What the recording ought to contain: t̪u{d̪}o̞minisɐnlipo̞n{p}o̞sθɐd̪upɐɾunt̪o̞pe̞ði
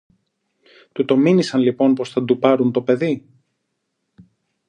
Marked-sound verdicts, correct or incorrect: incorrect: t̪, correct

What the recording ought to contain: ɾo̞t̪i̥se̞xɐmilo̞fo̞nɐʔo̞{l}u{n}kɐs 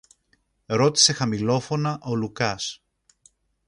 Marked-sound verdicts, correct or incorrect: correct, incorrect: none

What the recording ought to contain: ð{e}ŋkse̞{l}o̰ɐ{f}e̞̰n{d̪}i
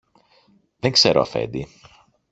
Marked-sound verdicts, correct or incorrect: correct, incorrect: ɾ, correct, correct

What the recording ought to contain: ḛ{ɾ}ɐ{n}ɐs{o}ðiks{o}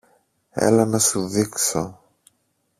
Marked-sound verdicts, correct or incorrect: incorrect: l, correct, incorrect: u, correct

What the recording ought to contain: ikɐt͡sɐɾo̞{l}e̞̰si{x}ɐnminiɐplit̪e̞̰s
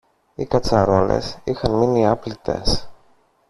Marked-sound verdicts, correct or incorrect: correct, correct

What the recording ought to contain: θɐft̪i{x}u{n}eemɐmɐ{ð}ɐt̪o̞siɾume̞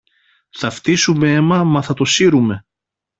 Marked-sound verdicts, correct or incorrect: incorrect: s, incorrect: m, incorrect: θ

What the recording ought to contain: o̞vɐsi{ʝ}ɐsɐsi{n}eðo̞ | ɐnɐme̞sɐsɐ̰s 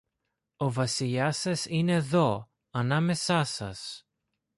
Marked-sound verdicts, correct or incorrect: incorrect: ʎ, correct

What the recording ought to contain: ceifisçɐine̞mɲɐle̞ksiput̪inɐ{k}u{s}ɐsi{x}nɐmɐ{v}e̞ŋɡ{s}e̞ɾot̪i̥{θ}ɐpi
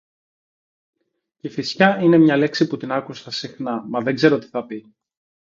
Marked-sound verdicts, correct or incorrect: correct, correct, correct, incorrect: ð, incorrect: z, correct

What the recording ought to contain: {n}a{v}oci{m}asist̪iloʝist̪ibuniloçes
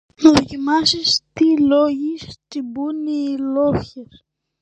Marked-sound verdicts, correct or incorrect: correct, incorrect: ð, correct

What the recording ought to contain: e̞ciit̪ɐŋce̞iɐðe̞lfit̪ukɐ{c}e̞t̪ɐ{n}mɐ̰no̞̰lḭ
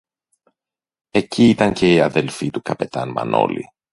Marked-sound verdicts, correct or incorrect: incorrect: p, correct

